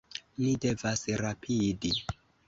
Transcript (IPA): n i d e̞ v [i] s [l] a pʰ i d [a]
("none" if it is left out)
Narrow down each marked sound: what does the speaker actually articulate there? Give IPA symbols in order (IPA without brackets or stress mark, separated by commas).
a, ɾ, i